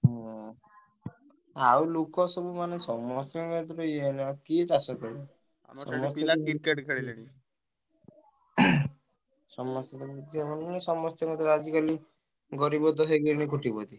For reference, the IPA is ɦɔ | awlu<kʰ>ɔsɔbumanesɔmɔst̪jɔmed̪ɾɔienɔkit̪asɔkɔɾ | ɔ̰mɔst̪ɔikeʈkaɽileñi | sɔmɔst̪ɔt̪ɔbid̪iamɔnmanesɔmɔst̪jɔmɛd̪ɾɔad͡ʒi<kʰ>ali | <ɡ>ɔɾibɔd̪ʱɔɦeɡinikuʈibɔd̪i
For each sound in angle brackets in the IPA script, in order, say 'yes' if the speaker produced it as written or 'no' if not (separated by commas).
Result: no, no, yes